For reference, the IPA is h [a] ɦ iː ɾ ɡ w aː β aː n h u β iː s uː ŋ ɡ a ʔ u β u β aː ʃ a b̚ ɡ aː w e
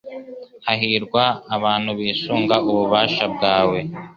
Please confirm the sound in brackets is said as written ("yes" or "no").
yes